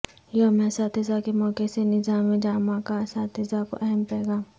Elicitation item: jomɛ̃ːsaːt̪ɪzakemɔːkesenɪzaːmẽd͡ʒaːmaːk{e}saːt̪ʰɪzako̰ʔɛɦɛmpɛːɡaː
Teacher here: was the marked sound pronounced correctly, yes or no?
no